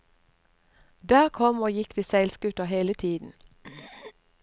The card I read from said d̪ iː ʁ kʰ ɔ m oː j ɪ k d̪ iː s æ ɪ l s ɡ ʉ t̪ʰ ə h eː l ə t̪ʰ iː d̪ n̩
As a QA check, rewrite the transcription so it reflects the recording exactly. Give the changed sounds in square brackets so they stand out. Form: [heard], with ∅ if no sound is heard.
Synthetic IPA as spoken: d̪ [æː] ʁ kʰ ɔ m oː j ɪ k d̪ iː s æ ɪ l s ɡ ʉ [t̪] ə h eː l ə t̪ʰ iː d̪ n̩